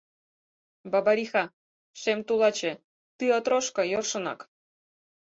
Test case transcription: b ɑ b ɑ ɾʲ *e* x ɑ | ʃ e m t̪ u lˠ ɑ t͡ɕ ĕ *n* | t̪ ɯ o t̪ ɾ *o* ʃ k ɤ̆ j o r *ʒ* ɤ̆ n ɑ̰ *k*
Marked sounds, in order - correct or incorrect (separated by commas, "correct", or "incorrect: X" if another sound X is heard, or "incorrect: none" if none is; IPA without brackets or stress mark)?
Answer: incorrect: i, incorrect: none, correct, incorrect: ʃ, correct